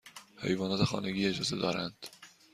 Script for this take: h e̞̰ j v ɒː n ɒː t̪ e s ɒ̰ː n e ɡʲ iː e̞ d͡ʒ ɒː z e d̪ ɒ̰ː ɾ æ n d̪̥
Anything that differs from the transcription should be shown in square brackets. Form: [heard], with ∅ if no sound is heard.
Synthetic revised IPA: h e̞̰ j v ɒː n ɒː t̪ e [x] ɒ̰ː n e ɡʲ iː e̞ d͡ʒ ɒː z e d̪ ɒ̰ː ɾ æ n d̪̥